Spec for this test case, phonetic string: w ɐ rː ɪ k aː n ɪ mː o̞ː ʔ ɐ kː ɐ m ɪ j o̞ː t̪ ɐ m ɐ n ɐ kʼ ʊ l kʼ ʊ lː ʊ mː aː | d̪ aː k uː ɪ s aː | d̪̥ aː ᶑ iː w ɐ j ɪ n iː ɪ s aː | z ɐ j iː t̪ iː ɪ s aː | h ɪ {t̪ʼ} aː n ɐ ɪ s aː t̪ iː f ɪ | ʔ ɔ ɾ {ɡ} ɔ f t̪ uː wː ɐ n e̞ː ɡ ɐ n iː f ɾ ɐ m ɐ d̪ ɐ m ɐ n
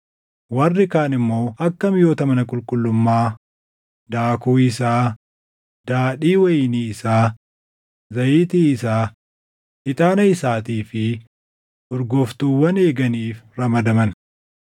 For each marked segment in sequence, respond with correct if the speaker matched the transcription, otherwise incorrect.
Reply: correct, correct

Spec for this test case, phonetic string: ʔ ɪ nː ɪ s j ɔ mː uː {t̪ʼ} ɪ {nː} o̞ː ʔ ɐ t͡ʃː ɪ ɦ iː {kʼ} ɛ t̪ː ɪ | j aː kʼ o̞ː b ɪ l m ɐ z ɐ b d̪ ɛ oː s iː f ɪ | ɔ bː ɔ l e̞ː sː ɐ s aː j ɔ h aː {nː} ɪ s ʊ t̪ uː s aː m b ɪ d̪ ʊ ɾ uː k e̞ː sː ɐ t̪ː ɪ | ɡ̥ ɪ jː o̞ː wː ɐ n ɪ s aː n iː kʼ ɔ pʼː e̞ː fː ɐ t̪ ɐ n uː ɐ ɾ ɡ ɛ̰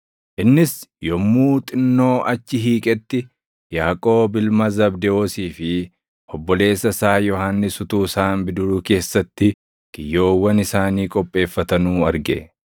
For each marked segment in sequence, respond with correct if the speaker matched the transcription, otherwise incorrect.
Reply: correct, correct, correct, correct

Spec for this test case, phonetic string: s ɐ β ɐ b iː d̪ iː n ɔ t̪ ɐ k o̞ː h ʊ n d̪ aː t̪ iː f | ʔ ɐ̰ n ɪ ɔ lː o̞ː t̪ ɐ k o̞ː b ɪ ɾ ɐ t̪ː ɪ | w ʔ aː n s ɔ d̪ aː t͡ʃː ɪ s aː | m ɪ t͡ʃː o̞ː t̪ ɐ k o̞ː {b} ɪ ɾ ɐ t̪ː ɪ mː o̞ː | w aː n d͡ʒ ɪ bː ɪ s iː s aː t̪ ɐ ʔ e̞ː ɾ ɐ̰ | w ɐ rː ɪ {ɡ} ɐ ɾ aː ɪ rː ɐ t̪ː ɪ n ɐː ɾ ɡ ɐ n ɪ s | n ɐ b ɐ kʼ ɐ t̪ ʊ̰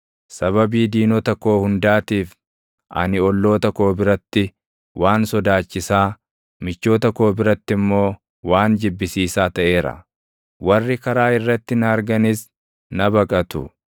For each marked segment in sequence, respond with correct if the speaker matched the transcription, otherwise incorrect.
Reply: correct, incorrect

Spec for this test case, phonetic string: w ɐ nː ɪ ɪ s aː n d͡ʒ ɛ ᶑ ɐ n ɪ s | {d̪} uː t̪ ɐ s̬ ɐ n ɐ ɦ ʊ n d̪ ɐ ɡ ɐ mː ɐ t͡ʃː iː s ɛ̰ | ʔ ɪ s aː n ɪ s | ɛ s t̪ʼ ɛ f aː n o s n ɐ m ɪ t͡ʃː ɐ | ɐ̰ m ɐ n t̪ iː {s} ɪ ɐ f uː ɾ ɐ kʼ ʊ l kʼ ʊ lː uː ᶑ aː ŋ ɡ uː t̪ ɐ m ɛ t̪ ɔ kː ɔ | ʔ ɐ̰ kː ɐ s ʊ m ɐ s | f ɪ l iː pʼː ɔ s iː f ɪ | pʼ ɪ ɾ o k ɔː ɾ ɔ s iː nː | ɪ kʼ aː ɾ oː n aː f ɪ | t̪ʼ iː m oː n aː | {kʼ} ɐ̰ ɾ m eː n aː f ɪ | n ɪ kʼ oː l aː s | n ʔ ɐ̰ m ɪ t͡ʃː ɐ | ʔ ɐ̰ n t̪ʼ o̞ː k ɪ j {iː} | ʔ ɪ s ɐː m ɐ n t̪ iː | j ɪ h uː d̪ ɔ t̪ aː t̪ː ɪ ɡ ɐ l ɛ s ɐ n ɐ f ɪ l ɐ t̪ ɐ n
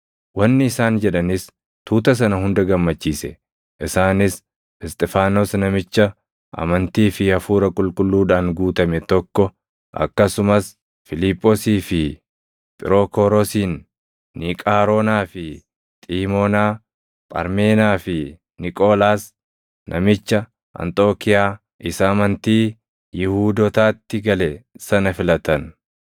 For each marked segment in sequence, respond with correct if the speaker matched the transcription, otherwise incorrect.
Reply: incorrect, incorrect, incorrect, incorrect

